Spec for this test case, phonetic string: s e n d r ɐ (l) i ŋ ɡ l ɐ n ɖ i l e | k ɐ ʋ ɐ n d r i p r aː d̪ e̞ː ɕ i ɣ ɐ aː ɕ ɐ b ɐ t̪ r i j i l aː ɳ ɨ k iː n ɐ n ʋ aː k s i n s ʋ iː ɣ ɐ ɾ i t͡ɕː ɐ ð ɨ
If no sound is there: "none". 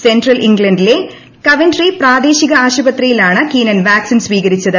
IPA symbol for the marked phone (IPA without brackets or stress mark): l